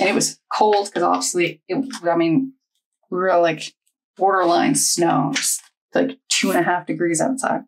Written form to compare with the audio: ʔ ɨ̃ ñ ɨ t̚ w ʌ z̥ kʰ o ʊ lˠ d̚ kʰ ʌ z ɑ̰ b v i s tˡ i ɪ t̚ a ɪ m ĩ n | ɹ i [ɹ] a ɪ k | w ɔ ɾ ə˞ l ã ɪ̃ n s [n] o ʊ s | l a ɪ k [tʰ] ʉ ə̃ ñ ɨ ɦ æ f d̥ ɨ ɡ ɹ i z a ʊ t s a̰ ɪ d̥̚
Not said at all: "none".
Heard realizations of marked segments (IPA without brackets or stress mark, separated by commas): l, n, tʰ